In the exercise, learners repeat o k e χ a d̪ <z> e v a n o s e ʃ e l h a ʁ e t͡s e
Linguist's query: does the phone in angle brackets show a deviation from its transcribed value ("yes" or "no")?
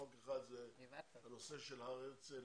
no